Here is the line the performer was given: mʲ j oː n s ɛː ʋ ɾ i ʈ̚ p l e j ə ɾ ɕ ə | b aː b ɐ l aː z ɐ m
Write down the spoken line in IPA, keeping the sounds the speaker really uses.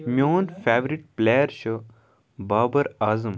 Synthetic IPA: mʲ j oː n f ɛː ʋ ɾ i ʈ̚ p l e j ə ɾ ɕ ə | b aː b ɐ ɾ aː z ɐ m